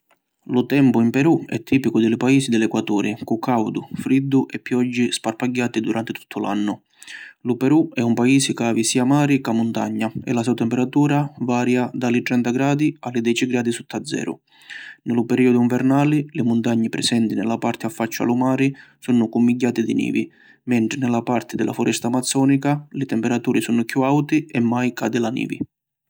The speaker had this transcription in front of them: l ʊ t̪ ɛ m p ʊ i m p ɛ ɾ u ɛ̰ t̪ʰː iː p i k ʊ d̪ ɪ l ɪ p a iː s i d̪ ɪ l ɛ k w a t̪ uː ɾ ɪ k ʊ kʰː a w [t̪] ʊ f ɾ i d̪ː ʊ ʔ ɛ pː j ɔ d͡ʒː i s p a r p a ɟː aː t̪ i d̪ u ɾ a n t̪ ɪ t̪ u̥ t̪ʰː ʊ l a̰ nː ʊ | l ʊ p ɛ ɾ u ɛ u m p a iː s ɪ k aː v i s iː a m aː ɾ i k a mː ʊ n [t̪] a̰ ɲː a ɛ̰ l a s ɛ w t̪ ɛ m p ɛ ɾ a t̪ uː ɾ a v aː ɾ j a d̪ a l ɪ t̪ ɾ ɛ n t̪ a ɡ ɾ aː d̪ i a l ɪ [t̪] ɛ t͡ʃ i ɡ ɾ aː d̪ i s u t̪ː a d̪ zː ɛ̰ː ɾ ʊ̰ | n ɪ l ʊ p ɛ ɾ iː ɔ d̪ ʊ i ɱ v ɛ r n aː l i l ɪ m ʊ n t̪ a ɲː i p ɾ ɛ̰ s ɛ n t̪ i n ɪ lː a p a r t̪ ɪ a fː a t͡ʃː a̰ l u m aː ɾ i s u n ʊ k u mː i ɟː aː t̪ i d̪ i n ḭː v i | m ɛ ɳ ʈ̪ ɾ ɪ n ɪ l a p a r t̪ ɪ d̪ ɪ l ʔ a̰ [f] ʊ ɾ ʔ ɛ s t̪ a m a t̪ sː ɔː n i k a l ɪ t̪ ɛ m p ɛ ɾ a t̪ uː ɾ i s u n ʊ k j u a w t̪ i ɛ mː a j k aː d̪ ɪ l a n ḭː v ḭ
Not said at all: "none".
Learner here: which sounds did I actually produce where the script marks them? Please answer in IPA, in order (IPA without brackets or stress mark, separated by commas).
d̪, t̪, d̪, f